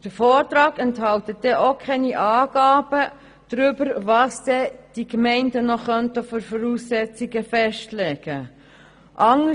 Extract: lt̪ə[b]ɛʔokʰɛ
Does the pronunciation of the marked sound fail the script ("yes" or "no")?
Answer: yes